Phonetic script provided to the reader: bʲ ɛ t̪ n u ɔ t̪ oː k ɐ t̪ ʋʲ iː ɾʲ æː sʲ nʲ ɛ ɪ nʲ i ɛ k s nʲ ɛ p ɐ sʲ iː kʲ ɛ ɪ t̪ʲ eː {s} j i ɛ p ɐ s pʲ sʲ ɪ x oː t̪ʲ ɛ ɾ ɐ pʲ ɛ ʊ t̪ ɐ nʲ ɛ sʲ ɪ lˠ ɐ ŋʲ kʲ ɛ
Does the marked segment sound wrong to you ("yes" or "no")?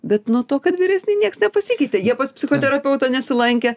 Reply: yes